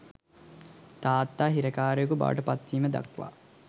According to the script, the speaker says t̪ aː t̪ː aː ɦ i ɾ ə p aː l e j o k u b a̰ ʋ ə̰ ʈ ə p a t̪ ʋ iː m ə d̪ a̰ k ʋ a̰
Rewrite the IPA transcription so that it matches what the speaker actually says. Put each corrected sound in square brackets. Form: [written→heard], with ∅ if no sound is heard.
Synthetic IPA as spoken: t̪ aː t̪ː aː ɦ i ɾ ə [p→k] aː [l→ɾ] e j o k u b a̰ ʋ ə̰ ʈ ə p a t̪ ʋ iː m ə d̪ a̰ k ʋ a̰